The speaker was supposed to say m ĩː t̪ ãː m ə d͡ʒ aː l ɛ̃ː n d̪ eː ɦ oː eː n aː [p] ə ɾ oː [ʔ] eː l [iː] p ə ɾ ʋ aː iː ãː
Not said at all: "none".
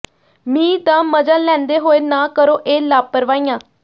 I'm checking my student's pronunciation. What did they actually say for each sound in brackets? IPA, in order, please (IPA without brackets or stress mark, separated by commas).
k, ʔ, aː